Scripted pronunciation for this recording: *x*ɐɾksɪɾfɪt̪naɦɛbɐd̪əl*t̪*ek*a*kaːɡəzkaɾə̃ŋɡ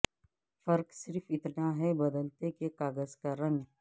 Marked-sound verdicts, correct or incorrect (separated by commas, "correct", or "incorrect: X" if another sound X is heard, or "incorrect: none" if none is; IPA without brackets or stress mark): incorrect: f, correct, incorrect: e